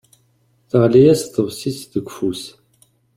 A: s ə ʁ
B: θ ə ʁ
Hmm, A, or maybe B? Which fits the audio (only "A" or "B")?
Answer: B